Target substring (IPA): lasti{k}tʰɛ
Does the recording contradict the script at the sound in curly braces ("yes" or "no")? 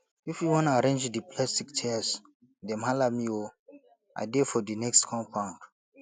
no